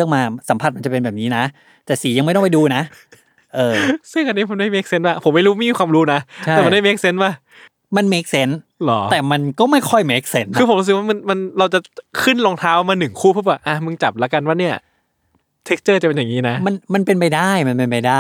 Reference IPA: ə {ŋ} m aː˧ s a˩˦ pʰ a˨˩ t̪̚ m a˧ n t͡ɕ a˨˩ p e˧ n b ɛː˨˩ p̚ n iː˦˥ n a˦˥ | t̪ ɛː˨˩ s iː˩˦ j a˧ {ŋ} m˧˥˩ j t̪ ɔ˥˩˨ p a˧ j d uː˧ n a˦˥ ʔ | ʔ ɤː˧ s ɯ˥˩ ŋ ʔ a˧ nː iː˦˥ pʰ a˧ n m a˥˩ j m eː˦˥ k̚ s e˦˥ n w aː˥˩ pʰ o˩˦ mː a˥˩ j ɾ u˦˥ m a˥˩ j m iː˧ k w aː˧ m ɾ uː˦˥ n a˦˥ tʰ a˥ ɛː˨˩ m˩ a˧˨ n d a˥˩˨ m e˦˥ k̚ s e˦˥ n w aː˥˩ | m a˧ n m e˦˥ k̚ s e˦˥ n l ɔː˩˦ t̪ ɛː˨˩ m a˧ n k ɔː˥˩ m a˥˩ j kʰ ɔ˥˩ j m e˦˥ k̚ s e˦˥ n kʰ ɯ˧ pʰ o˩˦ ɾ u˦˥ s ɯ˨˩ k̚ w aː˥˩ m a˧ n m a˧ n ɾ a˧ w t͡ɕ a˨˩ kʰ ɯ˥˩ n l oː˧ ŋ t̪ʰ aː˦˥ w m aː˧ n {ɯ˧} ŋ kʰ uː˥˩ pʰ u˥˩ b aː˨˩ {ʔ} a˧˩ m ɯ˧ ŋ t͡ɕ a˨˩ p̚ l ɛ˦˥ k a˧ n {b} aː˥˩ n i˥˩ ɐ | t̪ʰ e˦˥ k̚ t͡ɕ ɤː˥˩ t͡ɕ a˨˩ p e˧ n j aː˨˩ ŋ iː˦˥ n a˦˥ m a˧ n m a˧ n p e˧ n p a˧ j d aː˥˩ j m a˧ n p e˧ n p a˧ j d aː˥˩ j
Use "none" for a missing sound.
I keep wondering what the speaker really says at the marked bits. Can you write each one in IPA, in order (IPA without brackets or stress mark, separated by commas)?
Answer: ŋ, ŋ, ɯ˨˩, ʔ, w